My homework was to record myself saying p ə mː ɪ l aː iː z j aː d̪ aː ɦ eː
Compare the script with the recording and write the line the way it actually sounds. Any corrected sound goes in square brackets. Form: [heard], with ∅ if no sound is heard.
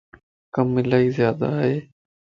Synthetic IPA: [k] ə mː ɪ l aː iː z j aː d̪ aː ɦ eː